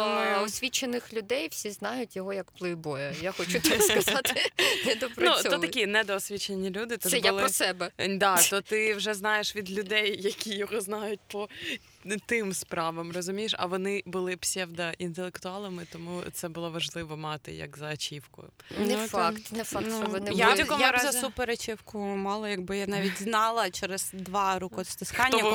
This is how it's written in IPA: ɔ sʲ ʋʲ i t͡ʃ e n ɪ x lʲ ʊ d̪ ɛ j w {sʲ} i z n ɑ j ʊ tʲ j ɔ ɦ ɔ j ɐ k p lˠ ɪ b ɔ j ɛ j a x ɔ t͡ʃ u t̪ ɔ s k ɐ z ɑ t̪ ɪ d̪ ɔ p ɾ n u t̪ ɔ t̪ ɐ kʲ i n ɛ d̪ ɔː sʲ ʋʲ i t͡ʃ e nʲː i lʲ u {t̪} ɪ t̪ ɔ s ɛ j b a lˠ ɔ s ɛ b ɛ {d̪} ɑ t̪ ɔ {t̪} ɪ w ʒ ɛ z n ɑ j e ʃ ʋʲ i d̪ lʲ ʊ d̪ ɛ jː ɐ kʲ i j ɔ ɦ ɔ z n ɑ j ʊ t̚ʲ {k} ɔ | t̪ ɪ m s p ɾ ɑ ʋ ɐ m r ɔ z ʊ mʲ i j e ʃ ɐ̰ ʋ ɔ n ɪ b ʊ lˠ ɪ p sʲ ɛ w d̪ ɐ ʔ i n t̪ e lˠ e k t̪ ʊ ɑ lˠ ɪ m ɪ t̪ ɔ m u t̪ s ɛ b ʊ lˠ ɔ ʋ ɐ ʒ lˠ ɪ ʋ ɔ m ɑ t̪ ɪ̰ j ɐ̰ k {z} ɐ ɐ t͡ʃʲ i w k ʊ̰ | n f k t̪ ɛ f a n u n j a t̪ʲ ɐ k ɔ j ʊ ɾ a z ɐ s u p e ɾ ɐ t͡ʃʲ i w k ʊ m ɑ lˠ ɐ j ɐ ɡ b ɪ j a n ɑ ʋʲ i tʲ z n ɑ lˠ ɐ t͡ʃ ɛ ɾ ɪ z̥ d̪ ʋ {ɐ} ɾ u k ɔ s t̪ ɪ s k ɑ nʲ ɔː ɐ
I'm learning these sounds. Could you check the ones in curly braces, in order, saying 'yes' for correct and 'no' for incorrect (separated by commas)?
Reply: yes, no, yes, yes, no, yes, no